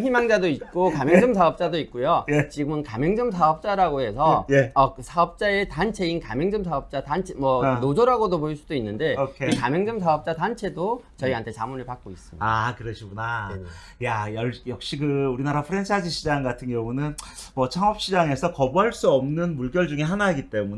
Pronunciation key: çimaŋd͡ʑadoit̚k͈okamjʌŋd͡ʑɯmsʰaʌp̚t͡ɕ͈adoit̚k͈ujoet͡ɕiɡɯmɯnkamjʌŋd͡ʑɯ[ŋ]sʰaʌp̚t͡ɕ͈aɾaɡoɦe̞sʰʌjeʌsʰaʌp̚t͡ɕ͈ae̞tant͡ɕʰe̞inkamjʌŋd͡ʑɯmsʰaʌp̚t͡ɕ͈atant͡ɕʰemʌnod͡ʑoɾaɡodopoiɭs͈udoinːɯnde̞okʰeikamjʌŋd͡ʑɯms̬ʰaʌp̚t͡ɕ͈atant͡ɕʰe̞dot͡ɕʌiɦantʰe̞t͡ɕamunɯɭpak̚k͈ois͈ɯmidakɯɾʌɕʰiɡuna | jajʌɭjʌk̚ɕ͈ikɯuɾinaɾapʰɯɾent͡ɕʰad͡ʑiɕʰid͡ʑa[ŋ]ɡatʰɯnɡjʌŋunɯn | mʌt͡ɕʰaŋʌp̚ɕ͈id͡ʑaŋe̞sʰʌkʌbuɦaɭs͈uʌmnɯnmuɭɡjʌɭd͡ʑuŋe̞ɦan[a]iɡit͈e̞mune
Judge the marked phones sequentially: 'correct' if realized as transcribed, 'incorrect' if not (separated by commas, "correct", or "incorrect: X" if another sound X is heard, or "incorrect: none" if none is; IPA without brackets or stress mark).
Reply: incorrect: m, correct, correct